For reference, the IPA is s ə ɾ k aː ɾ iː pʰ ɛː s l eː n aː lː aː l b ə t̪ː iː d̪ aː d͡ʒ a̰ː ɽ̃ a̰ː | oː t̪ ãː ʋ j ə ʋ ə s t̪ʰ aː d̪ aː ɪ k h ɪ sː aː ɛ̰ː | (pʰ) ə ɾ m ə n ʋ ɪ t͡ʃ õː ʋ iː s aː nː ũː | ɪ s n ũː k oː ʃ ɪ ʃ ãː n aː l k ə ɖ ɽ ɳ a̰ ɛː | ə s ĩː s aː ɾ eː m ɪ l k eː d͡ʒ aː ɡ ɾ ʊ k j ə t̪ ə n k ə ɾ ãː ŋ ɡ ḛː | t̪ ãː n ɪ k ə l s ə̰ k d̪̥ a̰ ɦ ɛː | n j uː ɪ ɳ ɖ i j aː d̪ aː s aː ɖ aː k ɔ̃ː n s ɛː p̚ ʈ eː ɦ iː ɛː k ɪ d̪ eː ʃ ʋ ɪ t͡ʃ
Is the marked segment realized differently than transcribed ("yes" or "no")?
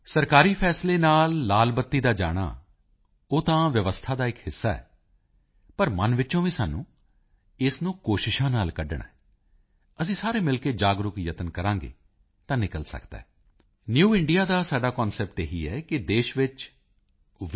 yes